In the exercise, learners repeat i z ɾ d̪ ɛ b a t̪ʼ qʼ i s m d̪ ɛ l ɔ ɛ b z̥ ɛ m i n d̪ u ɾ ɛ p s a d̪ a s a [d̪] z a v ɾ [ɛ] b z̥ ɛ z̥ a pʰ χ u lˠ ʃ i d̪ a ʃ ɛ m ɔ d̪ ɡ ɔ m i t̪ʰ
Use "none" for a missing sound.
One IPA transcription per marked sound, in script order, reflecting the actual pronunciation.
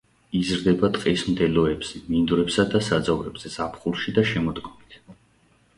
d̪, ɛ

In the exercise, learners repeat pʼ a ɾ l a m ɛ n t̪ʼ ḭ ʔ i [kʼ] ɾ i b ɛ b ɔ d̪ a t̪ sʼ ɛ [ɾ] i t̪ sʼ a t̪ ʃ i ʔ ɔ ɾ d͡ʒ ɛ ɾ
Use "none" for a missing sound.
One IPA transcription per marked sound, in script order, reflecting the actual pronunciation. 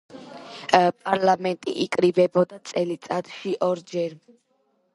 kʼ, l

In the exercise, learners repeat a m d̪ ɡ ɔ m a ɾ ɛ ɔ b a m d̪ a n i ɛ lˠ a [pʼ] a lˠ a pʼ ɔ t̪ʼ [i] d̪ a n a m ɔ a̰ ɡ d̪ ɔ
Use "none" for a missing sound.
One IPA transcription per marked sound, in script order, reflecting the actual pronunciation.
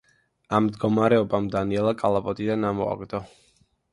kʼ, i

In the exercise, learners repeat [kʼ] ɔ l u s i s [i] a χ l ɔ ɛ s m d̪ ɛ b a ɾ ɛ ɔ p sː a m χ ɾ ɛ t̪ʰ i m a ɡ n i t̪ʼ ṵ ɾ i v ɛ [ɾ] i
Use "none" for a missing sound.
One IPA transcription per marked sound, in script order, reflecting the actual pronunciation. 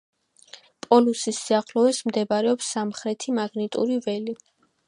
pʼ, i, l

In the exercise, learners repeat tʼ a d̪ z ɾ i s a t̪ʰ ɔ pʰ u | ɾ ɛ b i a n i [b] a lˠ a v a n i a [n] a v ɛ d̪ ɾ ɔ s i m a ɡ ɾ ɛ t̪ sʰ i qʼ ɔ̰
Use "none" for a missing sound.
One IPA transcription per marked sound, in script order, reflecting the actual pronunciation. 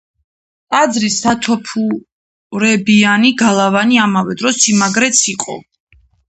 ɡ, m

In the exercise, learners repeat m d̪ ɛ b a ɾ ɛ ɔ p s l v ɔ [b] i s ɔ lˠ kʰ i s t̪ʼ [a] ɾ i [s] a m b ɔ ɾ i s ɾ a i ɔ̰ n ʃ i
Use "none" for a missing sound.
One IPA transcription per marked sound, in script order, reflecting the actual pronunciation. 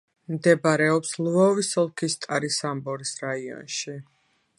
v, a, s

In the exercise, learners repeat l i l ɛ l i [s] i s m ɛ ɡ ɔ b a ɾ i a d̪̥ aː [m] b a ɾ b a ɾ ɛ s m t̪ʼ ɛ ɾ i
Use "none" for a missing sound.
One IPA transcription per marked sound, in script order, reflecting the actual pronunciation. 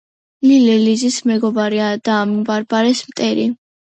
z, m

